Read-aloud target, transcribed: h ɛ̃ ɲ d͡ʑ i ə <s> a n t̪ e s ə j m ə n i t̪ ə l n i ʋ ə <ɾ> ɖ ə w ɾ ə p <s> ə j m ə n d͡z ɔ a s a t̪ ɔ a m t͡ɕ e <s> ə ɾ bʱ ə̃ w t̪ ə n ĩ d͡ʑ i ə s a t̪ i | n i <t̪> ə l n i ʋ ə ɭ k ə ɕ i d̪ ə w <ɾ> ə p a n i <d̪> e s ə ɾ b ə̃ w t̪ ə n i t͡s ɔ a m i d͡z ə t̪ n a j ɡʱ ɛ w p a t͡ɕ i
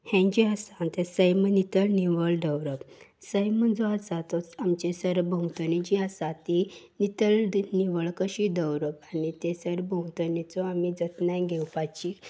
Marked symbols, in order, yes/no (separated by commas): yes, no, yes, yes, yes, yes, no